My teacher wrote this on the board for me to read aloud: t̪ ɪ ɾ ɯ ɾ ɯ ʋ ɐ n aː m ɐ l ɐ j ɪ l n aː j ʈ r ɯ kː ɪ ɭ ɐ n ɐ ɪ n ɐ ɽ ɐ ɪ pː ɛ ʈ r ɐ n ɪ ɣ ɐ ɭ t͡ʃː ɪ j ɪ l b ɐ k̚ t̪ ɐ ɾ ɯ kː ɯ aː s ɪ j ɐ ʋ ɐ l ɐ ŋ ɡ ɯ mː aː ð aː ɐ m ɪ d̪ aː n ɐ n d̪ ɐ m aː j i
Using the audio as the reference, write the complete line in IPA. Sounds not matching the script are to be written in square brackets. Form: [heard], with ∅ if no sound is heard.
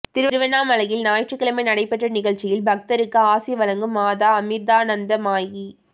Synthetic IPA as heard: t̪ ɪ ɾ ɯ ɾ ɯ ʋ ɐ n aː m ɐ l ɐ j ɪ l n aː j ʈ r ɯ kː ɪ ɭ ɐ [m] ɐ ɪ n ɐ ɽ ɐ ɪ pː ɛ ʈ r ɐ n ɪ ɣ ɐ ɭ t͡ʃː ɪ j ɪ l b ɐ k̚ t̪ ɐ ɾ ɯ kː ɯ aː s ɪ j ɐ ʋ ɐ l ɐ ŋ ɡ ɯ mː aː ð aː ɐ m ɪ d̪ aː n ɐ n d̪ ɐ m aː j i

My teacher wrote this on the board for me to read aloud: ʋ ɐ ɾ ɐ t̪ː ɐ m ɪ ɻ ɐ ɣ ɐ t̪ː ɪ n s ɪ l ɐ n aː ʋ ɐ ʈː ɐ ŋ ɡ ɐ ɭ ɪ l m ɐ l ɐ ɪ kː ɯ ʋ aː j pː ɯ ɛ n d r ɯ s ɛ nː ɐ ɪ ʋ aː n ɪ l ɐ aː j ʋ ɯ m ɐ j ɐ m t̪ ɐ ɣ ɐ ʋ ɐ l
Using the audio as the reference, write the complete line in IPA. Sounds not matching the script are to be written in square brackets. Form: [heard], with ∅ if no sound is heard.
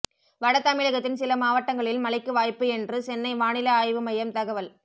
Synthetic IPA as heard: ʋ ɐ [ɽ] ɐ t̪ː ɐ m ɪ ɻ ɐ ɣ ɐ t̪ː ɪ n s ɪ l ɐ [m] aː ʋ ɐ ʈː ɐ ŋ ɡ ɐ ɭ ɪ l m ɐ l ɐ ɪ kː ɯ ʋ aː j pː ɯ ɛ n d r ɯ s ɛ nː ɐ ɪ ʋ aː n ɪ l ɐ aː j ʋ ɯ m ɐ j ɐ m t̪ ɐ ɣ ɐ ʋ ɐ l

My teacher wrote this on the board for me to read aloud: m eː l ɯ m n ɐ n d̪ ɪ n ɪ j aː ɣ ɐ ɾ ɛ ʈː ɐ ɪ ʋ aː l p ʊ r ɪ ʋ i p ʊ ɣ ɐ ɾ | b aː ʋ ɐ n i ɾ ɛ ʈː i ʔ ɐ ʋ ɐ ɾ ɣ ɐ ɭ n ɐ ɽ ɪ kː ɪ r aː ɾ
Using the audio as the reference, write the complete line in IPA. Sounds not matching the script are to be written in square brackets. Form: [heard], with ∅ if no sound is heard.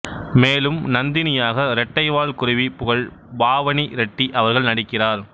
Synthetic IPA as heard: m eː l ɯ m n ɐ n d̪ ɪ n ɪ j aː ɣ ɐ ɾ ɛ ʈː ɐ ɪ ʋ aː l [k] ʊ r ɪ ʋ i p ʊ ɣ ɐ [ɭ] | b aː ʋ ɐ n i ɾ ɛ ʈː i ʔ ɐ ʋ ɐ ɾ ɣ ɐ ɭ n ɐ ɽ ɪ kː ɪ r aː ɾ

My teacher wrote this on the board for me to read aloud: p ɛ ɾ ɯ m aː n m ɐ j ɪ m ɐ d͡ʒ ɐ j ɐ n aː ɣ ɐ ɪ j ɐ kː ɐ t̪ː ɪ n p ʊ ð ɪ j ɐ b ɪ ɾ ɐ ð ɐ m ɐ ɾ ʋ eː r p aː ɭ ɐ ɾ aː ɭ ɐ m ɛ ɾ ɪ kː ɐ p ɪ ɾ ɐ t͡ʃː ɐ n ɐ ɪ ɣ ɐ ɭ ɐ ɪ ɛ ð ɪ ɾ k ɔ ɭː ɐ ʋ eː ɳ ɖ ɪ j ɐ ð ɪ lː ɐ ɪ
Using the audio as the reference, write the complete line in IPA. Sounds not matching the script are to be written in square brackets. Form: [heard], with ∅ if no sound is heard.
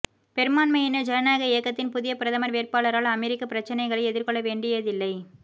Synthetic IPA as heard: p ɛ ɾ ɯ m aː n m ɐ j ɪ [n] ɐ d͡ʒ ɐ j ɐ n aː ɣ ɐ ɪ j ɐ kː ɐ t̪ː ɪ n p ʊ ð ɪ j ɐ [p] ɪ ɾ ɐ ð ɐ m ɐ ɾ ʋ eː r p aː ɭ ɐ ɾ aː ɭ ɐ m ɛ ɾ ɪ kː ɐ p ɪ ɾ ɐ t͡ʃː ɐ n ɐ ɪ ɣ ɐ ɭ ɐ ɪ ɛ ð ɪ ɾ k ɔ ɭː ɐ ʋ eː ɳ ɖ ɪ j ɐ ð ɪ lː ɐ ɪ

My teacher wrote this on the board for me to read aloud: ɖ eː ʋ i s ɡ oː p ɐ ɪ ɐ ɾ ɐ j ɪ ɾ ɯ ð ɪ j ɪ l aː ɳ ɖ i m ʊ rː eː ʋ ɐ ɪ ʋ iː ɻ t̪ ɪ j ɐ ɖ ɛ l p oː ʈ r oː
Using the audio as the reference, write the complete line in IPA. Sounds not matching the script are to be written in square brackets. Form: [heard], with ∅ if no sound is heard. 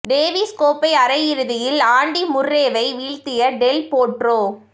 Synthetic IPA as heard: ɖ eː ʋ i s [k] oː p ɐ ɪ ɐ ɾ ɐ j ɪ ɾ ɯ ð ɪ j ɪ l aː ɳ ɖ i m ʊ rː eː ʋ ɐ ɪ ʋ iː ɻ t̪ ɪ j ɐ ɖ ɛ l p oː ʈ r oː

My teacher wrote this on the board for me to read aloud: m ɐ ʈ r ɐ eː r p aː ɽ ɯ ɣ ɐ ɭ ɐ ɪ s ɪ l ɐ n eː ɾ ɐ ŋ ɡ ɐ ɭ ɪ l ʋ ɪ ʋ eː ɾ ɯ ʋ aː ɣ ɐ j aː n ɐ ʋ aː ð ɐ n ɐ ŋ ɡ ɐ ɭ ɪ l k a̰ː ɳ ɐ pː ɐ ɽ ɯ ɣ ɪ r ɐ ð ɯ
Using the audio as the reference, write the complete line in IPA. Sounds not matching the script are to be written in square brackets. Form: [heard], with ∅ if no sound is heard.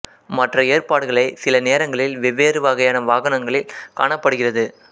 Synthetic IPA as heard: m ɐ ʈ r ɐ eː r p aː ɽ ɯ ɣ ɐ ɭ ɐ ɪ s ɪ l ɐ n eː ɾ ɐ ŋ ɡ ɐ ɭ ɪ l ʋ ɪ ʋ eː ɾ ɯ ʋ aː ɣ ɐ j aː n ɐ ʋ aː [ɣ] ɐ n ɐ ŋ ɡ ɐ ɭ ɪ l k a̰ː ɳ ɐ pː ɐ ɽ ɯ ɣ ɪ r ɐ ð ɯ

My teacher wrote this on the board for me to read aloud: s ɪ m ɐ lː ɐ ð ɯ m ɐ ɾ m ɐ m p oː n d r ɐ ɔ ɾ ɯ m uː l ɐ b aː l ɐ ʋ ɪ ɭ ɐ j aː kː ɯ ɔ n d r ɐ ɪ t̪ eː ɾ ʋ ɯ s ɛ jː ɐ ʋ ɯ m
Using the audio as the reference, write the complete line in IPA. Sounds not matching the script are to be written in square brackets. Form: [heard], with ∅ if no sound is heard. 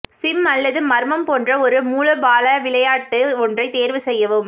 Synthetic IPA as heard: s ɪ m ɐ lː ɐ ð ɯ m ɐ ɾ m ɐ m p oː n d r ɐ ɔ ɾ ɯ m uː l ɐ b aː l ɐ ʋ ɪ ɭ ɐ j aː [ʈː] ɯ ɔ n d r ɐ ɪ t̪ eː ɾ ʋ ɯ s ɛ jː ɐ ʋ ɯ m

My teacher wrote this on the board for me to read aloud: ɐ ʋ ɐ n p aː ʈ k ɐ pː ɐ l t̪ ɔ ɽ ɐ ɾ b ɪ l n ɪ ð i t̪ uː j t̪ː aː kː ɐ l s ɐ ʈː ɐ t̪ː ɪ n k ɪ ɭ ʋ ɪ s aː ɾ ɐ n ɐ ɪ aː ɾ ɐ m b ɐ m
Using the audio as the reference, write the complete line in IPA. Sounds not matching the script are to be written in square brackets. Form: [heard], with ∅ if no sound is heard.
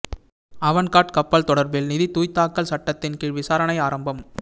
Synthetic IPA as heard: ɐ ʋ ɐ n [k] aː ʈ k ɐ pː ɐ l t̪ ɔ ɽ ɐ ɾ b ɪ l n ɪ ð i t̪ uː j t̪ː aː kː ɐ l s ɐ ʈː ɐ t̪ː ɪ n k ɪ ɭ ʋ ɪ s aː ɾ ɐ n ɐ ɪ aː ɾ ɐ m b ɐ m

